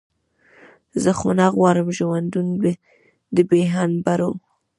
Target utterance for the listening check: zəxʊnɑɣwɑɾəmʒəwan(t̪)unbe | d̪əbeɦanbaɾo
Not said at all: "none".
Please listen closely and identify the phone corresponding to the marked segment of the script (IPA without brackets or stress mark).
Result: d̪